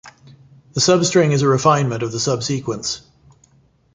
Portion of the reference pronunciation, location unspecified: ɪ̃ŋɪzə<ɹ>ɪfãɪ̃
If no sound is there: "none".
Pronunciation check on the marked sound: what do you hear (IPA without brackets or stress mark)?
ɹ